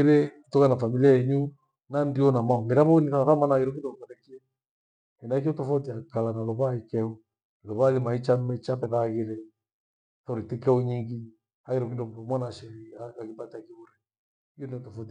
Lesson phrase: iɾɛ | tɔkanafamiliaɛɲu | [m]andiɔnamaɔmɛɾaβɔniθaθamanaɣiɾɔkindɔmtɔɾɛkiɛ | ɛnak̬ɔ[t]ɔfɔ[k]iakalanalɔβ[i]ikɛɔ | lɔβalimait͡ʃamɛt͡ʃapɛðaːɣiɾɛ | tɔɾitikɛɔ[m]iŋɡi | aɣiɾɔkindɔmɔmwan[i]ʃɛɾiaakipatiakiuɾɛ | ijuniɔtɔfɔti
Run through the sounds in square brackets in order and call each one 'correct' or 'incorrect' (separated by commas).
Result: incorrect, correct, incorrect, incorrect, incorrect, incorrect